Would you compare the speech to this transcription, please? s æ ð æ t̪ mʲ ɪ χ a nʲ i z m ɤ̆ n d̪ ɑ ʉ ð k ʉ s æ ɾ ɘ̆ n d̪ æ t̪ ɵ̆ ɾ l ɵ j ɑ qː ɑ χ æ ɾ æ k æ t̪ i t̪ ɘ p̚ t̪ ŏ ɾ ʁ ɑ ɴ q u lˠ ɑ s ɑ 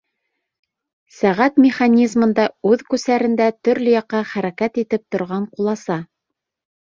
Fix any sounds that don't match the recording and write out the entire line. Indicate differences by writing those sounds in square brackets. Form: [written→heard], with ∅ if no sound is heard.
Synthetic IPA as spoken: s æ [ð→ʁ] æ t̪ mʲ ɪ χ a nʲ i z m ɤ̆ n d̪ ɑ ʉ ð k ʉ s æ ɾ ɘ̆ n d̪ æ t̪ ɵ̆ ɾ l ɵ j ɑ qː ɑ χ æ ɾ æ k æ t̪ i t̪ ɘ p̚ t̪ ŏ ɾ ʁ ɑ ɴ q u lˠ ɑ s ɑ